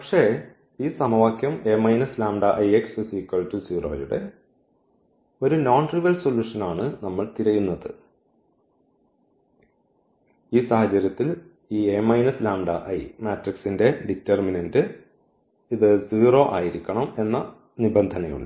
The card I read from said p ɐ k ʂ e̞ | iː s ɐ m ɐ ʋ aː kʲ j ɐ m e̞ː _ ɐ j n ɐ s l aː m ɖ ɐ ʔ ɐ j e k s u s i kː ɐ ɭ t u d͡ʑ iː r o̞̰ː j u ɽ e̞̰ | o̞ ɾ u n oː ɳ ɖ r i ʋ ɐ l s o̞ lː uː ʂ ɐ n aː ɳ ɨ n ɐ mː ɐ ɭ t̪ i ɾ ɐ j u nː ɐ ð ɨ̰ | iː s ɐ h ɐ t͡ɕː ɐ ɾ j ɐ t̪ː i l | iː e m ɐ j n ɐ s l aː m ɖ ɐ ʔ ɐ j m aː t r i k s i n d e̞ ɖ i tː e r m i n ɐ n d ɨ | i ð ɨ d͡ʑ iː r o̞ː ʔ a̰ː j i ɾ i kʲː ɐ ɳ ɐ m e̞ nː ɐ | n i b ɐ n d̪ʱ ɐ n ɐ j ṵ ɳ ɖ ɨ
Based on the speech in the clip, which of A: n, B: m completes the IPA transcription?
B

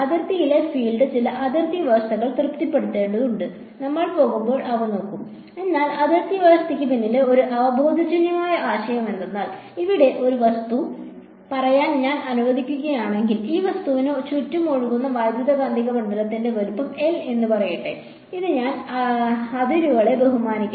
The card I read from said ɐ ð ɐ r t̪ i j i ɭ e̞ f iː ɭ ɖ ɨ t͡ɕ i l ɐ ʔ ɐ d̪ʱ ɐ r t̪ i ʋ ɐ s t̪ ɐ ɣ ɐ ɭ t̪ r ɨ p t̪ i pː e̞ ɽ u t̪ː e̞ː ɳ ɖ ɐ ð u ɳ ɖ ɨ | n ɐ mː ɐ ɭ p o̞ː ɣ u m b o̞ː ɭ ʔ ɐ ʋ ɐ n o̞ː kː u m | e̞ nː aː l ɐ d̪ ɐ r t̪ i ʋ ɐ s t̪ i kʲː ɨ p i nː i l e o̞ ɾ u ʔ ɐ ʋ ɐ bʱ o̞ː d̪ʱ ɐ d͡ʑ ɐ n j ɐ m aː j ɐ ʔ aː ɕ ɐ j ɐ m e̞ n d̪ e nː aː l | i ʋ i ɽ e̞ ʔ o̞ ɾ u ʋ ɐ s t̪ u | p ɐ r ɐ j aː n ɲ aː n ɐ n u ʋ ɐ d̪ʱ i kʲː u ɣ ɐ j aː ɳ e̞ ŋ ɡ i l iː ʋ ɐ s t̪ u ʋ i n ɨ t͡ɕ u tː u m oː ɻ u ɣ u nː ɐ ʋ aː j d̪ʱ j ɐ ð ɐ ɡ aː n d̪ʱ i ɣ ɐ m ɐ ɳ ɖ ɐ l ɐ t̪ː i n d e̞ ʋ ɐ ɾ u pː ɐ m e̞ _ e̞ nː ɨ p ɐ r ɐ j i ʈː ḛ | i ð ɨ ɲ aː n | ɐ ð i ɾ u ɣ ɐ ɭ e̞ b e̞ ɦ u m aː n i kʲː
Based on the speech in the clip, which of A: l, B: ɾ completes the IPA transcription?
A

